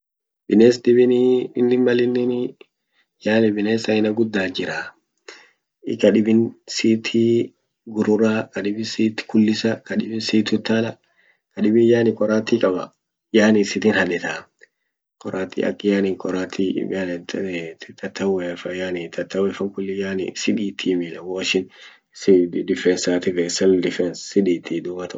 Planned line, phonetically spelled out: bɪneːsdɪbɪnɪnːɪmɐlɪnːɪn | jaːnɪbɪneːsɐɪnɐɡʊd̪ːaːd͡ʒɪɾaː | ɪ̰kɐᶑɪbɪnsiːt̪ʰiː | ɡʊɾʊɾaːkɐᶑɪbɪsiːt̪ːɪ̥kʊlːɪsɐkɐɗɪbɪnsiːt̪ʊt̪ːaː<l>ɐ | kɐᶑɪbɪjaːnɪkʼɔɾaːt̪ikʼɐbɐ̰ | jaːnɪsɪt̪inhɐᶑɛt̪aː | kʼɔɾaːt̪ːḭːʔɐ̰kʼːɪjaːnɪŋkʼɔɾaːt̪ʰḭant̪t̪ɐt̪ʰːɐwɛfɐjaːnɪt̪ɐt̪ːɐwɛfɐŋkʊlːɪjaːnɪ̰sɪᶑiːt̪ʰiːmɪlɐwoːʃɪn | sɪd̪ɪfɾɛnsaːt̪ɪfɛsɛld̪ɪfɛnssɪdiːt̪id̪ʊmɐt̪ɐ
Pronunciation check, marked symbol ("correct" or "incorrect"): correct